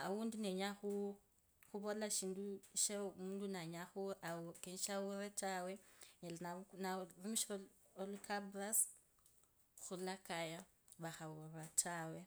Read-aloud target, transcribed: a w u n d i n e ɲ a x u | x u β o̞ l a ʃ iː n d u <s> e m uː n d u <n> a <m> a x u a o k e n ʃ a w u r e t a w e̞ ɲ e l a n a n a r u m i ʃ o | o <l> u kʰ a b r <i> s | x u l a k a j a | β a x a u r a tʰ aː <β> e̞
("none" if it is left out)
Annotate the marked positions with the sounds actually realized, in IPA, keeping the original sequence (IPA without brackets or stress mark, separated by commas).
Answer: ʃ, n, ɲ, l, a, w